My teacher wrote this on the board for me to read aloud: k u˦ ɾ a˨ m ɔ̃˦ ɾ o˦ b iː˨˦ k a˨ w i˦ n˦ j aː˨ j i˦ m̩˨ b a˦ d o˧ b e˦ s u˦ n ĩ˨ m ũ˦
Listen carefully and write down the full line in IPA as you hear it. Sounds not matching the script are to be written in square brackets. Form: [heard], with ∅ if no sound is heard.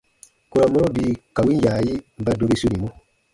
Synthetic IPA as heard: k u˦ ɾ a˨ m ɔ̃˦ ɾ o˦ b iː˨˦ k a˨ w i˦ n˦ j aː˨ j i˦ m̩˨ b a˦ d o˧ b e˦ s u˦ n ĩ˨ m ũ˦

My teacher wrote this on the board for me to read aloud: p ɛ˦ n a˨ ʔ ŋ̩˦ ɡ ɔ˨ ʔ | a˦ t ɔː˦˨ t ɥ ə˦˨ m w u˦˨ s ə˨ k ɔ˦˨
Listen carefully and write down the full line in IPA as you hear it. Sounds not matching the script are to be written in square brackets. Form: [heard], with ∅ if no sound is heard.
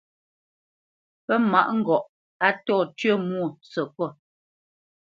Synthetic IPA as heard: p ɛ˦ [m] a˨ ʔ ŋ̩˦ ɡ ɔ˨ ʔ | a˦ t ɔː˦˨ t ɥ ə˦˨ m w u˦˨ s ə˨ k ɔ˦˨

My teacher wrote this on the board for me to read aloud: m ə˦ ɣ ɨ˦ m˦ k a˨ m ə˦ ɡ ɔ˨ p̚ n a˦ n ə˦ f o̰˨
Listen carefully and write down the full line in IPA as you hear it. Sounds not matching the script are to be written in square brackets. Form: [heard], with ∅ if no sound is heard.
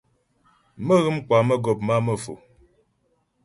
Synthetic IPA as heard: m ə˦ ɣ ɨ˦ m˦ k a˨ m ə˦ ɡ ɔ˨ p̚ [m] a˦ [m] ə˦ f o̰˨

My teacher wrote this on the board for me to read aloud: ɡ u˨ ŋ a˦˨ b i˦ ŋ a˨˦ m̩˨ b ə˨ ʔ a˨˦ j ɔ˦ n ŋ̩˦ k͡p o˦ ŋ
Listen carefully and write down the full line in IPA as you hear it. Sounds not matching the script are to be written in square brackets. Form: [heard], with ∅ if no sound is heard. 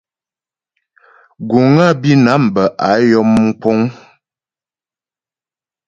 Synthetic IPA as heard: ɡ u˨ ŋ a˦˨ b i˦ [n] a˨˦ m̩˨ b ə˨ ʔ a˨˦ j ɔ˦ [m] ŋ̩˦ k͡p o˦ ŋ

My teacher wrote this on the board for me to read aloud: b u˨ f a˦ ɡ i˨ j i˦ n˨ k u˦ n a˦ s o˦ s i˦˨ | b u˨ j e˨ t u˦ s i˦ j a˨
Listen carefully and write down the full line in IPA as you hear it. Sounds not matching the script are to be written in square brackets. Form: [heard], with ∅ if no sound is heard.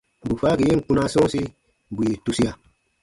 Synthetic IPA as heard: b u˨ f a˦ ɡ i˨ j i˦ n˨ k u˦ n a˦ s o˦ s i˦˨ | b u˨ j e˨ t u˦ s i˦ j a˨

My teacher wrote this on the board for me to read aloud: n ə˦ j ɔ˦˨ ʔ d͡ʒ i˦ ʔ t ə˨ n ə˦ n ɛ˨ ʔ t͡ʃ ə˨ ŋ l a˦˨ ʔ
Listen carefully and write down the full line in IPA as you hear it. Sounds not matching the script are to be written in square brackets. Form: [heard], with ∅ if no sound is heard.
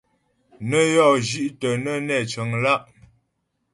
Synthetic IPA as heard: n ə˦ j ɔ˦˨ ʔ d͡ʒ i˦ ʔ t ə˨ n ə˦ n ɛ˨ [∅] t͡ʃ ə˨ ŋ l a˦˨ ʔ

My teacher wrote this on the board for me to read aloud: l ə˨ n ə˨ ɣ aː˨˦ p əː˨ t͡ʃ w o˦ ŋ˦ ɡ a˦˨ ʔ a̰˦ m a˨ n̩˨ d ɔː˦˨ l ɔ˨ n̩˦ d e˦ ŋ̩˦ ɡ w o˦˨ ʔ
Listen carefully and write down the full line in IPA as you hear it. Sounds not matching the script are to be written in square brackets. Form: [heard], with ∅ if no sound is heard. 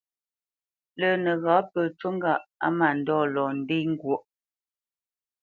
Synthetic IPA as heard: l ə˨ n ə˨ ɣ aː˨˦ p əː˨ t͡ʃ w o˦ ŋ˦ ɡ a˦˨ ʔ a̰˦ m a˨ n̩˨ d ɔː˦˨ l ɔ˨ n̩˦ d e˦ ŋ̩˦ ɡ w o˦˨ ʔ

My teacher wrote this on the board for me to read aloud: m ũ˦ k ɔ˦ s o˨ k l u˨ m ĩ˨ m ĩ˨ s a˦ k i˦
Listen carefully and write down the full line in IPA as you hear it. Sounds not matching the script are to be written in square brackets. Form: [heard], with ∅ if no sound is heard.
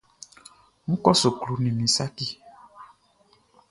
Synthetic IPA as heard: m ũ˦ k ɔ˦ s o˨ k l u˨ [n] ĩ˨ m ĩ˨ s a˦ k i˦

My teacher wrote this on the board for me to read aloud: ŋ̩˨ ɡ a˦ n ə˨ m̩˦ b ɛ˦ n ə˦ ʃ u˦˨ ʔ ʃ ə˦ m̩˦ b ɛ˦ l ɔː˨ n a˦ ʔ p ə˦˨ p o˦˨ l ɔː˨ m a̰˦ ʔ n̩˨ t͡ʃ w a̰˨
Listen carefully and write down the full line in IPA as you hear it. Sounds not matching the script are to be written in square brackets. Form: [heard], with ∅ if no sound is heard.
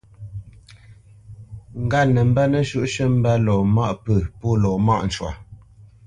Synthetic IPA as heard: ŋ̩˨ ɡ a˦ n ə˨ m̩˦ b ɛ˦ n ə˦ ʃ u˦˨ ʔ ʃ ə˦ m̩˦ b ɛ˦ l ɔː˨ [m] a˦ ʔ p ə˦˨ p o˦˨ l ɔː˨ m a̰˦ ʔ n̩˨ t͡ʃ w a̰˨

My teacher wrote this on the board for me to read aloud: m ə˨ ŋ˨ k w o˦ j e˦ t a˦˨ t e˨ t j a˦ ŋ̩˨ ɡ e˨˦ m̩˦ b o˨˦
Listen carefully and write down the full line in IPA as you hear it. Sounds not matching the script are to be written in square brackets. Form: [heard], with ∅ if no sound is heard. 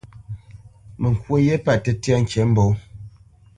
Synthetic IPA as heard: m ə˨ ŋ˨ k w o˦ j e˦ [p] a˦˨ t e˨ t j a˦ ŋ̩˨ [k] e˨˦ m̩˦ b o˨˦

